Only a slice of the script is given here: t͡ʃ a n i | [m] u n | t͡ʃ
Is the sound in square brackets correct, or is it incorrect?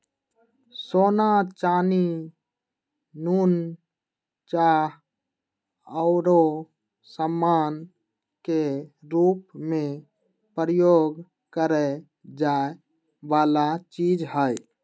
incorrect